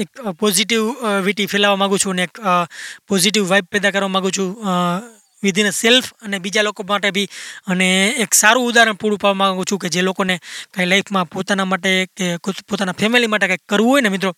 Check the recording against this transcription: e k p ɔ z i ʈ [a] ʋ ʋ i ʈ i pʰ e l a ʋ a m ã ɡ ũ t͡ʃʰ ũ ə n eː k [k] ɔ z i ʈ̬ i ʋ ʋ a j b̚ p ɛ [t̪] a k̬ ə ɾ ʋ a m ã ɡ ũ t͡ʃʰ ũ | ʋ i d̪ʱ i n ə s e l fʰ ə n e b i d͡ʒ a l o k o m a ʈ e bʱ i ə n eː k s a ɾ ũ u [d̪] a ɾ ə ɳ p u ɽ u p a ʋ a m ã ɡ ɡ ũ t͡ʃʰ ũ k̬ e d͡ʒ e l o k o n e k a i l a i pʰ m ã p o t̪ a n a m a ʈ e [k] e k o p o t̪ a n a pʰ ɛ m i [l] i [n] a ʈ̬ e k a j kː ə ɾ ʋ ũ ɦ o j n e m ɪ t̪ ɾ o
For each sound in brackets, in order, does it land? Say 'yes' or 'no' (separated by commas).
no, no, no, yes, yes, yes, no